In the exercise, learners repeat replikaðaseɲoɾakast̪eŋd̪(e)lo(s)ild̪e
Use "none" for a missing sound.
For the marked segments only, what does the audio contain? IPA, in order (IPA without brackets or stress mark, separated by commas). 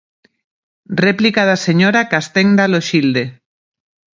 a, ʃ